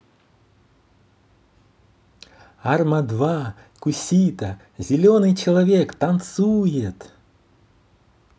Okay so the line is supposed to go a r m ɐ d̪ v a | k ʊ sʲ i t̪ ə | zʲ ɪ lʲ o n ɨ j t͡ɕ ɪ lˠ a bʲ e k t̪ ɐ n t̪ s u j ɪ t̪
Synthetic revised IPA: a r m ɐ d̪ v a | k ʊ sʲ i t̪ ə | zʲ ɪ lʲ o n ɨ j t͡ɕ ɪ lˠ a vʲ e k t̪ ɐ n t̪ s u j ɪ t̪